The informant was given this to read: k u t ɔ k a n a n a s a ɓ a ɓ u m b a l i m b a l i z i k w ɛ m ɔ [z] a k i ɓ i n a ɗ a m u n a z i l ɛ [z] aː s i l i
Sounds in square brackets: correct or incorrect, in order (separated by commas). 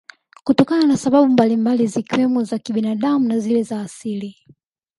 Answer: correct, correct